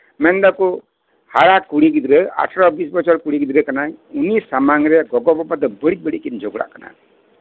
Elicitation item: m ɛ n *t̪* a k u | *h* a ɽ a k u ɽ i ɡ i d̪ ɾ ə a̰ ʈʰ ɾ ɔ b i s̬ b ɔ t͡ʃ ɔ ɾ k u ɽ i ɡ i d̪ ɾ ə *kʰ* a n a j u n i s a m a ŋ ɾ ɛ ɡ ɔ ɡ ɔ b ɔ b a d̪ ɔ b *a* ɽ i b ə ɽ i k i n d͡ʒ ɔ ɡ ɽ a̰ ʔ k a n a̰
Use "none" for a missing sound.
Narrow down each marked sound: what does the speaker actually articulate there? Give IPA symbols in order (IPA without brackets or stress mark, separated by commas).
d̪, h, k, ə